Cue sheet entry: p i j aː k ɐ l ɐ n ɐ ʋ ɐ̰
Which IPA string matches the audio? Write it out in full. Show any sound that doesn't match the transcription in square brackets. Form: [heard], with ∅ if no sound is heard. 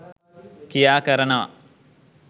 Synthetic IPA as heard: [k] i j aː k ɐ [ɾ] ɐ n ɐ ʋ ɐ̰